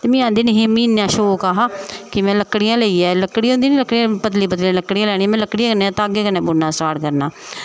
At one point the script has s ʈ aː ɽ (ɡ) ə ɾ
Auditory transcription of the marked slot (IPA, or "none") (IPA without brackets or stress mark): k